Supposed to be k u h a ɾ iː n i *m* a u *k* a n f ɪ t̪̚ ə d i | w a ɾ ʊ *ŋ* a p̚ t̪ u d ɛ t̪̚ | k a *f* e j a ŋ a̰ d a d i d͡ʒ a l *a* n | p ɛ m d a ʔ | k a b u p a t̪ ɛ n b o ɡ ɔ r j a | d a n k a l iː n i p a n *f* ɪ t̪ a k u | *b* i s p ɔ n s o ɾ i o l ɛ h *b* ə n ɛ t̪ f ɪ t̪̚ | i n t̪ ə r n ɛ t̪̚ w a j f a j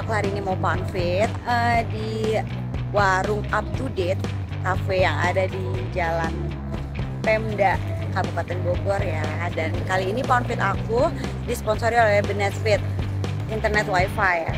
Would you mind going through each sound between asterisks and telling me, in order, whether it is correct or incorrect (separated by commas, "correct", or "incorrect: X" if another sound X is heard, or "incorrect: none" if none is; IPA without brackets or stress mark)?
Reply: correct, incorrect: p, correct, correct, correct, correct, incorrect: d, correct